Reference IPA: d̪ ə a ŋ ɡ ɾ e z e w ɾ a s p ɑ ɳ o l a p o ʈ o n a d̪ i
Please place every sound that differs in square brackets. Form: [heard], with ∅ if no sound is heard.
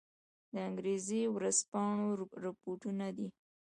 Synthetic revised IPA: d̪ ə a ŋ ɡ ɾ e z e w ɾ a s p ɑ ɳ o [ɾ] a p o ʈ [u] n a d̪ i